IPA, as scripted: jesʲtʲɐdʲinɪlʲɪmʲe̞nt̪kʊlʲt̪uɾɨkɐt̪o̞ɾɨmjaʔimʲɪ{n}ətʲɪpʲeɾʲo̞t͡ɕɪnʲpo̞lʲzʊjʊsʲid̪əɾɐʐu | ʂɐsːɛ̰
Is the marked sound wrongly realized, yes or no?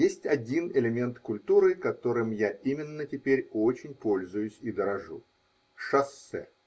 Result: yes